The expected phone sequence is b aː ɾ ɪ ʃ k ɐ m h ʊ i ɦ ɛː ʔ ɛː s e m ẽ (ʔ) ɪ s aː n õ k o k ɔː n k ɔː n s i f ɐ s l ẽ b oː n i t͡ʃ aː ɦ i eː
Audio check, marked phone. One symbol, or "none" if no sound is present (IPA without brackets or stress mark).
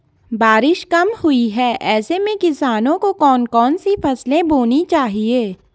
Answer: k